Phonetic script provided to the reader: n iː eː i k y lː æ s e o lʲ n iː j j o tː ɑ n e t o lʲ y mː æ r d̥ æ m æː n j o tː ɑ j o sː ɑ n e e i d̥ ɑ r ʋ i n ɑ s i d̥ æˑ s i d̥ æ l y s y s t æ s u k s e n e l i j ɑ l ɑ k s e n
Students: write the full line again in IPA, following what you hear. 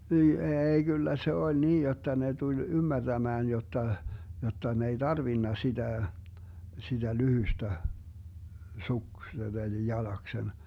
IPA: n iː eː i k y lː æ s e o lʲ n iː j j o tː ɑ n e t u lʲ y mː æ r d̥ æ m æː n j o tː ɑ j o tː ɑ n e e i d̥ ɑ r ʋ i nː ɑ s i d̥ æˑ s i d̥ æ l y h y s t æ s u k s e n e l i j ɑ l ɑ k s e n